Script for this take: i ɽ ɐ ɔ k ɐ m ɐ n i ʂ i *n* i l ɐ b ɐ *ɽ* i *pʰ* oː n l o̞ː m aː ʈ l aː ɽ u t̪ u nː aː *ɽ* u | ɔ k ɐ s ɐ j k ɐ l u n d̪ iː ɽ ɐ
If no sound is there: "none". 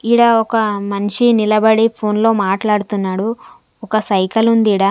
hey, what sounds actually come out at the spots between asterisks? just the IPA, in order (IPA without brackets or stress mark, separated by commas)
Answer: n, ɽ, pʰ, ɽ